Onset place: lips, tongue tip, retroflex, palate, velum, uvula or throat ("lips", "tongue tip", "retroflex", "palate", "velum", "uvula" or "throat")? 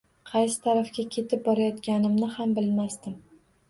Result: uvula